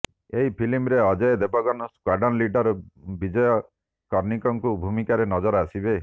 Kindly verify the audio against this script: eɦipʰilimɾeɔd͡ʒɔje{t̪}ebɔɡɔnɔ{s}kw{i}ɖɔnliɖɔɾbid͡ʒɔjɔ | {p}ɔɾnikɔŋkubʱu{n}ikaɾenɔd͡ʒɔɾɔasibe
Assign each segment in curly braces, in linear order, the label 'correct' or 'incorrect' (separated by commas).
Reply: incorrect, correct, incorrect, incorrect, incorrect